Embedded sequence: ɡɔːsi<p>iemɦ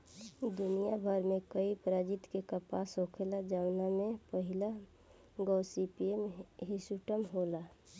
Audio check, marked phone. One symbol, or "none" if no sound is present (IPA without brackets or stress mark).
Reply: p